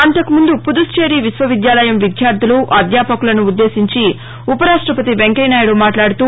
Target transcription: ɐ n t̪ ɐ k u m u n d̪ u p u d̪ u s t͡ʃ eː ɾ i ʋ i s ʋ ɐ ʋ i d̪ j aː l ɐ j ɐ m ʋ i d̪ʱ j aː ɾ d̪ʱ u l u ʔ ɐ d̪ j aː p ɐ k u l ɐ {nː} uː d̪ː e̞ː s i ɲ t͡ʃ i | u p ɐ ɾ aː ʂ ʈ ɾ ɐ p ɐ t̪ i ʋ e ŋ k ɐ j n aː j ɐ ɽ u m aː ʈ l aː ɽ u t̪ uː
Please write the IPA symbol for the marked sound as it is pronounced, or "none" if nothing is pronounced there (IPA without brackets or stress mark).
n